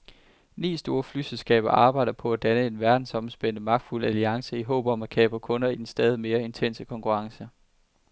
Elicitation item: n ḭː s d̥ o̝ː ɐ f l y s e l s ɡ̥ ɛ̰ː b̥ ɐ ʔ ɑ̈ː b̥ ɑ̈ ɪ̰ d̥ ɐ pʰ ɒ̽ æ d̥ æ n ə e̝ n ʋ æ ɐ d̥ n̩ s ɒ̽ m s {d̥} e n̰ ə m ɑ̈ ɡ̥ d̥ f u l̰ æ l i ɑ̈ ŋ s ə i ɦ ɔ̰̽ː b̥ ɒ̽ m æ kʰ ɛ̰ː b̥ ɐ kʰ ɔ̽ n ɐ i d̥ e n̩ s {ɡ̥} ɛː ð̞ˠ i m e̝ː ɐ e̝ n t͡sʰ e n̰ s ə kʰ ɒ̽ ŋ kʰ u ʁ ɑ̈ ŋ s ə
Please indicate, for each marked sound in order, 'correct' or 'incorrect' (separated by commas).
incorrect, incorrect